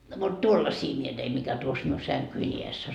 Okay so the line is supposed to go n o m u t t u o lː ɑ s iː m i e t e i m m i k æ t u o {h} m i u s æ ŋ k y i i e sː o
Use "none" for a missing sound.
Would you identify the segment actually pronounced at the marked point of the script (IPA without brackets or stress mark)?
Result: s